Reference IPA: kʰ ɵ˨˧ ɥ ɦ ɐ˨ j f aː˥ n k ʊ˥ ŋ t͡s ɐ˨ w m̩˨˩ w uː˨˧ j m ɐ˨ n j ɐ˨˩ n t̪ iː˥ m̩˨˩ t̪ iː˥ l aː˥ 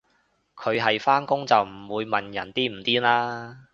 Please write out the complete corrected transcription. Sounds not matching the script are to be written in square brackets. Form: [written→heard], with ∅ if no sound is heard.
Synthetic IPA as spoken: kʰ ɵ˨˧ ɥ ɦ ɐ˨ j f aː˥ n k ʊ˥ ŋ t͡s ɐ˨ w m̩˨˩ w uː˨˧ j m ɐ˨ n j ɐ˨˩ n t̪ iː˥ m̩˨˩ t̪ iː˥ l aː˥